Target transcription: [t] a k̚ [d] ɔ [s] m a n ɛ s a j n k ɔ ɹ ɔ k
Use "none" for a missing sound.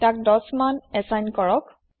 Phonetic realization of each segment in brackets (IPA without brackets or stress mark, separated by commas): t, d, s